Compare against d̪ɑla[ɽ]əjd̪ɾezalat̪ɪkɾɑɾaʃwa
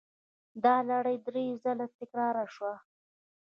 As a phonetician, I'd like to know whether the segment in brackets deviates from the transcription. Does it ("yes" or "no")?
no